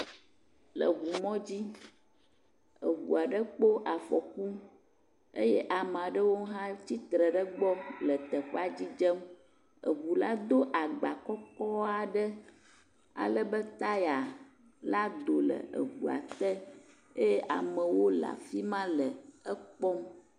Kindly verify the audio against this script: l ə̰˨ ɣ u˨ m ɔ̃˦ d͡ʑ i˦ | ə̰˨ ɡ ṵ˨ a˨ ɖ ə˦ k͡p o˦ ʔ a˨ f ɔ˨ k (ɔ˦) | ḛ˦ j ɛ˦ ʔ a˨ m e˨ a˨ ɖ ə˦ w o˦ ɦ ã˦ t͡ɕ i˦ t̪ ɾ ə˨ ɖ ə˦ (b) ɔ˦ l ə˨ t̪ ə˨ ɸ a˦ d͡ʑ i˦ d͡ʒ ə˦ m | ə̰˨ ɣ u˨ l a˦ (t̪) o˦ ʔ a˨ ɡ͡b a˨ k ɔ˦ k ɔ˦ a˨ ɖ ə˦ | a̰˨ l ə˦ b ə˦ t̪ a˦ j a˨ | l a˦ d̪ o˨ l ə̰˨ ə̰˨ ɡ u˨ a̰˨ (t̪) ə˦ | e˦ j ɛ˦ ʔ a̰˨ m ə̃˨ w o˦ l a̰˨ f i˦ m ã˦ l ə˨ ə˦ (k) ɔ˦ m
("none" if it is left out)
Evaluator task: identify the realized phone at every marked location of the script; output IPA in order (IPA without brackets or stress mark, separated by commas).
u˦, ɡ͡b, d̪, t̪, k͡p